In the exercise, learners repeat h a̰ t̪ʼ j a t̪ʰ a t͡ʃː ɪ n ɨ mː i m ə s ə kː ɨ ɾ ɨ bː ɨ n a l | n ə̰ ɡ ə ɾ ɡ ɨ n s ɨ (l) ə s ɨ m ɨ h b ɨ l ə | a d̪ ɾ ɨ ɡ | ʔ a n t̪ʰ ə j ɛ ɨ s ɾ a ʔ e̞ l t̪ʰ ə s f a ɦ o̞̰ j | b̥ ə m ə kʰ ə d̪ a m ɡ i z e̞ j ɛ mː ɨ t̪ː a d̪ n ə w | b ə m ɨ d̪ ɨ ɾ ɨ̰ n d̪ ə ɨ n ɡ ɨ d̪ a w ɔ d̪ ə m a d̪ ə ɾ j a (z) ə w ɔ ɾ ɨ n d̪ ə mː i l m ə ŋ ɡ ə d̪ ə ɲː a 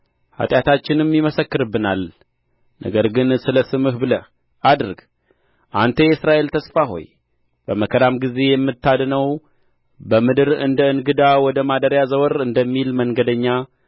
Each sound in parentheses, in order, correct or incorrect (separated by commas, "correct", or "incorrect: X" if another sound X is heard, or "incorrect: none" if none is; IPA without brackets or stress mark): correct, correct